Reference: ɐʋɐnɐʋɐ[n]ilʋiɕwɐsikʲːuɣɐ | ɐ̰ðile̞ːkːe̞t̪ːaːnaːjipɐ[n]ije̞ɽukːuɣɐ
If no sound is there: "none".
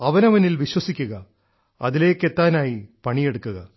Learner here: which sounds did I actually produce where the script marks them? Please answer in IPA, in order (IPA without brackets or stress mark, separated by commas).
n, ɳ